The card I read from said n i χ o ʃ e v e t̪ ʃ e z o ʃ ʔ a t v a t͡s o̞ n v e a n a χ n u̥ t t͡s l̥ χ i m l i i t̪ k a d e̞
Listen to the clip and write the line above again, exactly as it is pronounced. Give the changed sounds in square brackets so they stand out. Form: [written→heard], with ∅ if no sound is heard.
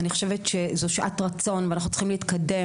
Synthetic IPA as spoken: n i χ o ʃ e v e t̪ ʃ e z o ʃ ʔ a t [v→ʁ] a t͡s o̞ n v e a n a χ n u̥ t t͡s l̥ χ i m l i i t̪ k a d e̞

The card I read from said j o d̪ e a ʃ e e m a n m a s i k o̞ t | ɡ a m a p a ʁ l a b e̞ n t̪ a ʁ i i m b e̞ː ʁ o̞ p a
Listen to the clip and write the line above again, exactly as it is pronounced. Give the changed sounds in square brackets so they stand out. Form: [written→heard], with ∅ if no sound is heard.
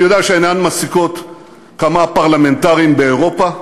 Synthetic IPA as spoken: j o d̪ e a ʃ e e [m→n] a n m a s i k o̞ t | [ɡ→k] a m a p a ʁ l a [b→m] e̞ n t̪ a ʁ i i m b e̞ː ʁ o̞ p a

